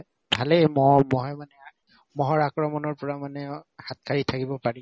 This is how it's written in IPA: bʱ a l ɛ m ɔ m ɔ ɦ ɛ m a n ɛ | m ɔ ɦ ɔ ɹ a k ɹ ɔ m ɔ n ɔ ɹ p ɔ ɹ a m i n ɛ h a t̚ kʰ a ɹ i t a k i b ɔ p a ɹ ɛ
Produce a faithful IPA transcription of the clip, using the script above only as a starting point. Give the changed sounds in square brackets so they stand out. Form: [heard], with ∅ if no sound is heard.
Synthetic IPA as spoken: bʱ a l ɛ m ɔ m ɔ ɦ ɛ m a n ɛ | m ɔ ɦ ɔ ɹ a k ɹ ɔ m ɔ n ɔ ɹ p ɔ ɹ a m [a] n ɛ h a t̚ kʰ a ɹ i [tʰ] a k i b ɔ p a ɹ [i]